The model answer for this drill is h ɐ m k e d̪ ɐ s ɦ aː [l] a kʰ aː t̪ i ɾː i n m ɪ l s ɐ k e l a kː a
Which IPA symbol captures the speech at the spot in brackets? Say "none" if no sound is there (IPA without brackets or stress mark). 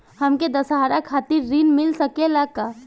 ɾ